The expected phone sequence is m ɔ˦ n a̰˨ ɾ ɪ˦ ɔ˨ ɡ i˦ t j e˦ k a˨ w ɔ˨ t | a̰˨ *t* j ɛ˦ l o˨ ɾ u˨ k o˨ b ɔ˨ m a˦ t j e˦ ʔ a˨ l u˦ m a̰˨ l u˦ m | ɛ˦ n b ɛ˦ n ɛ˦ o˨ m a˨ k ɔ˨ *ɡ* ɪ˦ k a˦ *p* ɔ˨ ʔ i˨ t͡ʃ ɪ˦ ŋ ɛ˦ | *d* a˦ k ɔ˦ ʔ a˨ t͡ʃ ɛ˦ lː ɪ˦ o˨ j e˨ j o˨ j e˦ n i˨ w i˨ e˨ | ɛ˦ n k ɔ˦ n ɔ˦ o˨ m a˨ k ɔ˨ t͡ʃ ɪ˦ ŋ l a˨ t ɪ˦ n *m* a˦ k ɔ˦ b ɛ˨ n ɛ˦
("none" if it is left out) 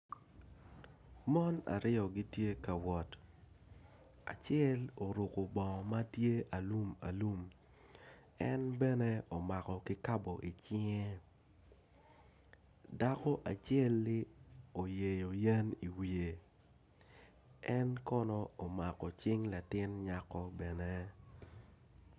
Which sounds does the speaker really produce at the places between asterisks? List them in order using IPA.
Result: t͡ʃ, k, b, d, ɲ

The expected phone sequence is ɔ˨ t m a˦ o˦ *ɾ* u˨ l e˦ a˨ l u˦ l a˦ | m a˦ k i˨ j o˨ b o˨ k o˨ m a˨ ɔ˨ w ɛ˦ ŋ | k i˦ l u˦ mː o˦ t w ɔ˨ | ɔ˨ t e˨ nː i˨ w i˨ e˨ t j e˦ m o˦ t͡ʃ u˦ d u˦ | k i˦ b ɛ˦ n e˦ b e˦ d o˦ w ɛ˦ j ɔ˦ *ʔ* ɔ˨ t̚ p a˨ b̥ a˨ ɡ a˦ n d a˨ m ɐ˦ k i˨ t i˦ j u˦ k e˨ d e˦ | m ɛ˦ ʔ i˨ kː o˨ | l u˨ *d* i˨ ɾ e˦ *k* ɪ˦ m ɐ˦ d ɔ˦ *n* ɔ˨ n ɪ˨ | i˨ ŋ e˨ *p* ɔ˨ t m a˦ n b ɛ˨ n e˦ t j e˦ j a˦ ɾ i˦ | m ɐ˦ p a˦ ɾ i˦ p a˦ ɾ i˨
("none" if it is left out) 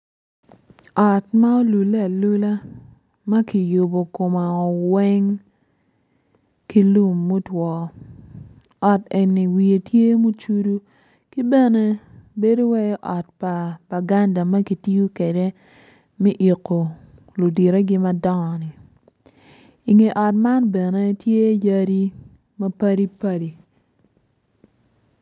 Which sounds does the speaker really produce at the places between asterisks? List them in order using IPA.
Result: l, ʔ, d, ɡ, ŋ, ʔ

